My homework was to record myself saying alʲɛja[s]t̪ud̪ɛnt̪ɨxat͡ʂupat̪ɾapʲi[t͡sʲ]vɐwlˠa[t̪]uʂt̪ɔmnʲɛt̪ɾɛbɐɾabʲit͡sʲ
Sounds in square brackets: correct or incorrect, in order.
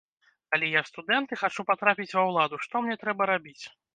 correct, correct, incorrect

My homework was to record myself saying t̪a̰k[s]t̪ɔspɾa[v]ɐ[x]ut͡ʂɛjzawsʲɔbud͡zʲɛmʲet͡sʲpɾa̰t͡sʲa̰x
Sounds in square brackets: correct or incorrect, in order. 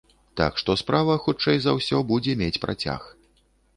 incorrect, correct, correct

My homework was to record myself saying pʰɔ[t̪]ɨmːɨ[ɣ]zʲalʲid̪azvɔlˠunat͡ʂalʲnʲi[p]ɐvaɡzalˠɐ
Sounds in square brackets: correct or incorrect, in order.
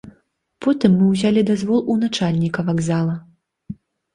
correct, incorrect, incorrect

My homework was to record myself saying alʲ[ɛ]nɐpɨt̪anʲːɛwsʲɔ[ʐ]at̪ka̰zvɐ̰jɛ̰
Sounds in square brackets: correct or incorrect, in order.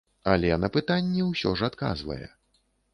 correct, correct

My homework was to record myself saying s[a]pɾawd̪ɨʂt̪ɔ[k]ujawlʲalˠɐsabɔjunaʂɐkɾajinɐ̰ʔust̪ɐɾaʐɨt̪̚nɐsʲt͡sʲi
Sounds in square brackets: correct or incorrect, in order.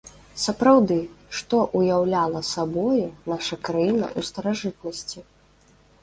incorrect, incorrect

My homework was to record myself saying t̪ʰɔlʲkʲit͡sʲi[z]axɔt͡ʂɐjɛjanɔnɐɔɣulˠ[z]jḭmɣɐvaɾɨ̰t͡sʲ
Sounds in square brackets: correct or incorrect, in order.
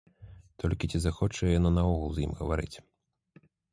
correct, correct

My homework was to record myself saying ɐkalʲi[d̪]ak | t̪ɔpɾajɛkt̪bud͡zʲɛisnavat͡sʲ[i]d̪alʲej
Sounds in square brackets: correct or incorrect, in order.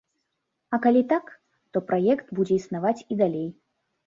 incorrect, correct

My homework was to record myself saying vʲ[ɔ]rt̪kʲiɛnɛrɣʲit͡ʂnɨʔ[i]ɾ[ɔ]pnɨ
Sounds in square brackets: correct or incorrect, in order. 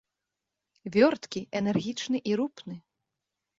correct, correct, incorrect

